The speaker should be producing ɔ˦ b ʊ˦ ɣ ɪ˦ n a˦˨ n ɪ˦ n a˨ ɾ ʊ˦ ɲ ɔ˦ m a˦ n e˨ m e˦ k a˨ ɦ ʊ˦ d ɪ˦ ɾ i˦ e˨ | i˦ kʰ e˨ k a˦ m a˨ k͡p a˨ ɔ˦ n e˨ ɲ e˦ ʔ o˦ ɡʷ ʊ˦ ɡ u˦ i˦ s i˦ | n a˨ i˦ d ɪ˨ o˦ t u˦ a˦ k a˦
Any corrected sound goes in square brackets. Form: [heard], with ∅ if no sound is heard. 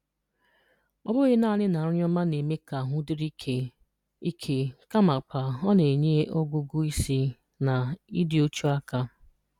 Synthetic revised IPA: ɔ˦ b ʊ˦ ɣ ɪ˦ n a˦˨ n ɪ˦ n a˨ ɾ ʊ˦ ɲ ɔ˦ m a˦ n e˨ m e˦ k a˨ ɦ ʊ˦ d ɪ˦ ɾ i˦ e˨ | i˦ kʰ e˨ k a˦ m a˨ k͡p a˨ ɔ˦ n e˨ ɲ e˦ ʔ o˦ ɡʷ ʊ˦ ɡ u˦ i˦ s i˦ | n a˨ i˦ d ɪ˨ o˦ [t͡ʃ] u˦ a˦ k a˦